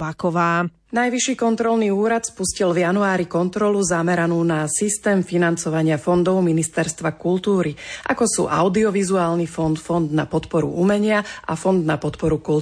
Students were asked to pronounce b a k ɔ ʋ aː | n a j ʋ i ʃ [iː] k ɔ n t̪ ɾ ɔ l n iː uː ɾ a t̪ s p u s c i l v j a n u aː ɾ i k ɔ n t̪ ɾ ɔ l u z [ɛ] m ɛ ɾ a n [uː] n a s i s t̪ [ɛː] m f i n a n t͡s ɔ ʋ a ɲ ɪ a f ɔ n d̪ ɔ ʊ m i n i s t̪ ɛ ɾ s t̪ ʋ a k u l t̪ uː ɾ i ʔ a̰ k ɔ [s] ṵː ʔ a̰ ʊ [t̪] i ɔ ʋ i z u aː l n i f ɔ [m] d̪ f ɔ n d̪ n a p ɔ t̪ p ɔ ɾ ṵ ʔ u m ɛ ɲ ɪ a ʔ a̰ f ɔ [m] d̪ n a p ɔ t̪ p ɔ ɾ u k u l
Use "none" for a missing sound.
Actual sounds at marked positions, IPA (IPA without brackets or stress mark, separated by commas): iː, a, uː, ɛː, s, d̪, n, n